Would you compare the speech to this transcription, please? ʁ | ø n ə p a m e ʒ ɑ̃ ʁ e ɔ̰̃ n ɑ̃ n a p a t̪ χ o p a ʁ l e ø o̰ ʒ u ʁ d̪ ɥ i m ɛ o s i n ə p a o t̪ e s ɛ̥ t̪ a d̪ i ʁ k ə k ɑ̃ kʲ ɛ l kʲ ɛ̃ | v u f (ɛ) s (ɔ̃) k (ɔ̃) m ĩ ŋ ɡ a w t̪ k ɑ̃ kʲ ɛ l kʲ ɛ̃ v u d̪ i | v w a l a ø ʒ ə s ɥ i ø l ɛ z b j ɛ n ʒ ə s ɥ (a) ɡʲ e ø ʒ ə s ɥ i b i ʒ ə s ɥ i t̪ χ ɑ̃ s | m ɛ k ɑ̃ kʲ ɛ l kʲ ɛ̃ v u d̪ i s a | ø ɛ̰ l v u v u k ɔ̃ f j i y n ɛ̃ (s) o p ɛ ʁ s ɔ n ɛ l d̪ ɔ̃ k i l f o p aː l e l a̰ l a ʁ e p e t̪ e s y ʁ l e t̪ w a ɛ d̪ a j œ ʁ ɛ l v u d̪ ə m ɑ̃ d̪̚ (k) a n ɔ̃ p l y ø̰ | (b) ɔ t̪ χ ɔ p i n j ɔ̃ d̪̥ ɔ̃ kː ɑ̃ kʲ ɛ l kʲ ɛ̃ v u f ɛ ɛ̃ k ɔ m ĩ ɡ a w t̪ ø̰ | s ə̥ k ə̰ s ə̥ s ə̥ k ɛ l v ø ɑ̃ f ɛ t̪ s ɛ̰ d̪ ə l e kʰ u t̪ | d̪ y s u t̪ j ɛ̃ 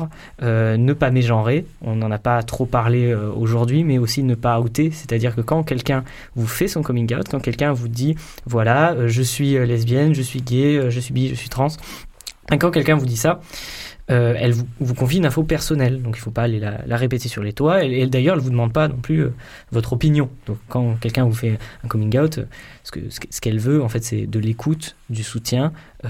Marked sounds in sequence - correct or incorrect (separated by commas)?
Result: correct, correct, incorrect, incorrect, incorrect, incorrect, incorrect